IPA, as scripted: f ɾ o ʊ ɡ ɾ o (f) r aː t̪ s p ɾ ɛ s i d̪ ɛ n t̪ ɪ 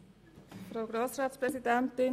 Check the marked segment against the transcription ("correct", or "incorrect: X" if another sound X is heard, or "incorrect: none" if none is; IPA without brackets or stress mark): incorrect: s